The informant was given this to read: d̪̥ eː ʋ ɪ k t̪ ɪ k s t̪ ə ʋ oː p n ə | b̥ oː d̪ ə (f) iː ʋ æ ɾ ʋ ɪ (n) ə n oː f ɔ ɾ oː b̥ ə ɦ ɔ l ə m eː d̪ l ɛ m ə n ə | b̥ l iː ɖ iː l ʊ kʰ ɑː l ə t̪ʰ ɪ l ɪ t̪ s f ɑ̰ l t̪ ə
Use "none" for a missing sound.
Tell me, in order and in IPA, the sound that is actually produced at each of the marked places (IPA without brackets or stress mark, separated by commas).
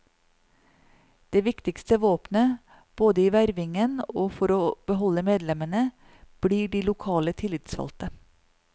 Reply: none, ŋ